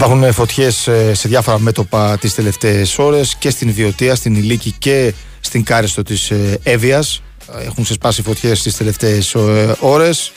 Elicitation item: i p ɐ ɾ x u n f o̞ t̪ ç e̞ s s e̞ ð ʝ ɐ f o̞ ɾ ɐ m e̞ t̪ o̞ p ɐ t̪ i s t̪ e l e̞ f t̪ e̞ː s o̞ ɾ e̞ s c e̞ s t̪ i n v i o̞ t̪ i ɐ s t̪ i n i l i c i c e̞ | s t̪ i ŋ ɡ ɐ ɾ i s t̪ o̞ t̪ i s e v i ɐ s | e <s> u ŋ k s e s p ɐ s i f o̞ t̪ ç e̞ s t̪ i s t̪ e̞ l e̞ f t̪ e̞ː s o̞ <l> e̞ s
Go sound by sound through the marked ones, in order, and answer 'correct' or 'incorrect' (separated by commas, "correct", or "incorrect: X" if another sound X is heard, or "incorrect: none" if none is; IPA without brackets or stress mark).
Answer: incorrect: x, incorrect: ɾ